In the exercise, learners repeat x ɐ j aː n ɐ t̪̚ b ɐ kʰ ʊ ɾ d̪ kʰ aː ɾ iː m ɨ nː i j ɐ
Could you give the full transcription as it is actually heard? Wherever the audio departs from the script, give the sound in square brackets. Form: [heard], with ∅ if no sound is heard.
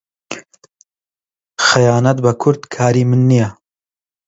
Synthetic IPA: x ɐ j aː n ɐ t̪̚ b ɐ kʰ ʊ ɾ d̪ kʰ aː ɾ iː m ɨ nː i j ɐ

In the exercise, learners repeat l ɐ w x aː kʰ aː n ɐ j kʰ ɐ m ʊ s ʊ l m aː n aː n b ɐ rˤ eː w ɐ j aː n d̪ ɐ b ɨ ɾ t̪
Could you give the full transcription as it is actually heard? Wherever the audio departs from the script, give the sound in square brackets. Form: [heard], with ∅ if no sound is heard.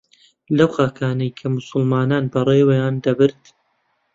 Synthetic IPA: l ɐ w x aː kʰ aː n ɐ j kʰ ɐ m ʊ s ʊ l m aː n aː n b ɐ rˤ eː w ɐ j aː n d̪ ɐ b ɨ ɾ t̪

